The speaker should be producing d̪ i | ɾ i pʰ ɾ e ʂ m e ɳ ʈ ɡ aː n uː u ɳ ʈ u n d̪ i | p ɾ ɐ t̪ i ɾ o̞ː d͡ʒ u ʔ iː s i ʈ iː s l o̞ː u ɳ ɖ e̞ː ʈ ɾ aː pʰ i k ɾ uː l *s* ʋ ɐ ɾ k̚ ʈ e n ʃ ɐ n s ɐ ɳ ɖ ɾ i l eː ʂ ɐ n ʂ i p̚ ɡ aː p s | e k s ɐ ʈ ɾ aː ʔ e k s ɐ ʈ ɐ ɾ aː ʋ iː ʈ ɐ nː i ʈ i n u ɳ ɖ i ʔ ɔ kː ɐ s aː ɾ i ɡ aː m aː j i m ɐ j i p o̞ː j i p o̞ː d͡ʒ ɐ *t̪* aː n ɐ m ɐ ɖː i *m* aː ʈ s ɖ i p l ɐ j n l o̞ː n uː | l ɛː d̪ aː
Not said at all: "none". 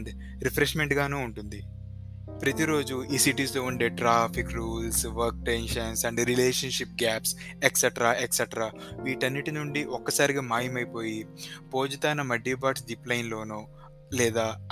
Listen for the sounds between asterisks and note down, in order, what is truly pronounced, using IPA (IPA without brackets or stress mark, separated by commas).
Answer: s, t̪, b